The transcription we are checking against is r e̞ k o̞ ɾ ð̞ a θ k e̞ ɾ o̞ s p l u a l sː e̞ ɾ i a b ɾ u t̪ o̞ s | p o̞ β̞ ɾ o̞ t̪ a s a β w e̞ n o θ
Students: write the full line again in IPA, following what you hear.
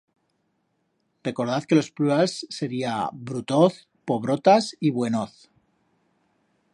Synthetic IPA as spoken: r e̞ k o̞ ɾ ð̞ a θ k e̞ l o̞ s p l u a l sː e̞ ɾ i a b ɾ u t̪ o̞ θ | p o̞ β̞ ɾ o̞ t̪ a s i β w e̞ n o θ